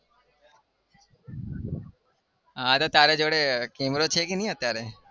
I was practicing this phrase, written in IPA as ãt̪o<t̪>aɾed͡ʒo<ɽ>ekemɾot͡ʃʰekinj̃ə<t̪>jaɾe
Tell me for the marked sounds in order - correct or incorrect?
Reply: correct, correct, correct

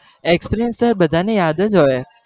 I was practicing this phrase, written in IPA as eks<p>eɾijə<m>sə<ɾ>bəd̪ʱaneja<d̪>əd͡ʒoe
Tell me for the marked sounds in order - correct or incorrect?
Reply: correct, incorrect, correct, correct

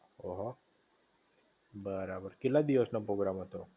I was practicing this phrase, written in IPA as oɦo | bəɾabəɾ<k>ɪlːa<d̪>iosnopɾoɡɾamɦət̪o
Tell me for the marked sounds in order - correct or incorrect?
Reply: correct, correct

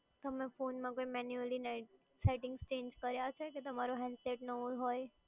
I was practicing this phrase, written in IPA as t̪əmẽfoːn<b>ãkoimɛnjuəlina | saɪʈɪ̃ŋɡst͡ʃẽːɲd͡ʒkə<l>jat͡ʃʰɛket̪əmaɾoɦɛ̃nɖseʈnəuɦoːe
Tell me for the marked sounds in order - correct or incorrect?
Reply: incorrect, incorrect

